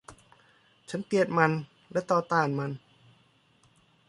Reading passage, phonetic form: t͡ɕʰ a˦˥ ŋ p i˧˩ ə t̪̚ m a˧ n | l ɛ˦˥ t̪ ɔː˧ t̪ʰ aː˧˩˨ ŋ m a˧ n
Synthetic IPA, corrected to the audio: t͡ɕʰ a˦˥ n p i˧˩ ə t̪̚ m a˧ n | l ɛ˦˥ t̪ ɔː˧ t̪ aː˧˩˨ n m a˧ n